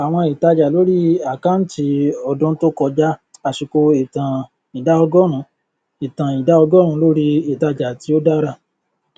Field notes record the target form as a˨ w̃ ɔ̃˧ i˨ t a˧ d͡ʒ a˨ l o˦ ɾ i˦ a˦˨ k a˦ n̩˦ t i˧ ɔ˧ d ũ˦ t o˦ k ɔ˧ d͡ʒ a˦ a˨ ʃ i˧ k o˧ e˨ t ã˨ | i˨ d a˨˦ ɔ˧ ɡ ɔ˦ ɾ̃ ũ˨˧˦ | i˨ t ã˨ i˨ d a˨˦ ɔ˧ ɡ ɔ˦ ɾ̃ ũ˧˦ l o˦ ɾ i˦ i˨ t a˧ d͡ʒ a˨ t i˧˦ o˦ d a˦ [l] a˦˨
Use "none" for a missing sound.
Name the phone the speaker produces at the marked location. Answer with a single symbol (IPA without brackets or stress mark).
ɾ